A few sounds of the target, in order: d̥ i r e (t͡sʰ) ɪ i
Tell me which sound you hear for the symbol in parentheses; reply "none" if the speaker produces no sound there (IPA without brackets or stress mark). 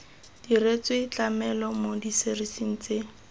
t͡s